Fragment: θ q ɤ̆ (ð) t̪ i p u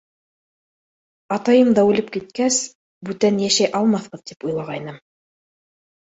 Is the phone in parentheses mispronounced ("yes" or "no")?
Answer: no